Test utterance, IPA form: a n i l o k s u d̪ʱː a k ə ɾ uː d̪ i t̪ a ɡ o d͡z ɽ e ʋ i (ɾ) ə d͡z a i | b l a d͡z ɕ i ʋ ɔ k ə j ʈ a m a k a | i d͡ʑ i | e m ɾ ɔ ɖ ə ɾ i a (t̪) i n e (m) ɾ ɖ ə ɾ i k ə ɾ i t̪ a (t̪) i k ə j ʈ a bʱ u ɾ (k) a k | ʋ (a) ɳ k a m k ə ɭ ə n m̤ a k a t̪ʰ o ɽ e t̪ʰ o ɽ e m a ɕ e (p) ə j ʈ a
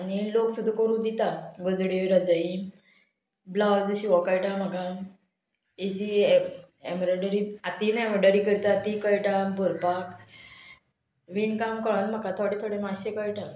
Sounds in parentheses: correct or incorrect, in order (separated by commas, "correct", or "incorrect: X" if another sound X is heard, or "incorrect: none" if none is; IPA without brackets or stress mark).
correct, correct, correct, correct, incorrect: p, incorrect: i, incorrect: k